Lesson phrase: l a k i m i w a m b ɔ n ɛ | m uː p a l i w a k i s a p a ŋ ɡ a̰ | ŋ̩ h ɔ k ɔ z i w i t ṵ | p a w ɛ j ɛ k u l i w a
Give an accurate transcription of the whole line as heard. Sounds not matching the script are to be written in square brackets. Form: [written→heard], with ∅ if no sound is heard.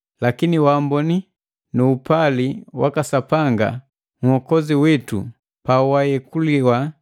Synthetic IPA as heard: l a k i [m→n] i w a m b ɔ n [ɛ→i] | [m→n] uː p a l i w a k [i→a] s a p a ŋ ɡ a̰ | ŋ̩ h ɔ k ɔ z i w i t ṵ | p a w [ɛ→a] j ɛ k u l i w a